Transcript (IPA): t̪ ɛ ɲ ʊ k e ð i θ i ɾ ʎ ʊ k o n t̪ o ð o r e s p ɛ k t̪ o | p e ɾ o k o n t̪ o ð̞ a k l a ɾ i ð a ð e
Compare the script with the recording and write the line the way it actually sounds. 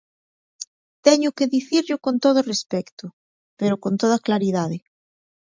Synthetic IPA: t̪ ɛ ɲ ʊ k e ð i θ i ɾ ʎ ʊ k o n t̪ o ð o r e s p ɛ k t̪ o | p e ɾ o k o n t̪ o ð̞ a k l a ɾ i ð a ð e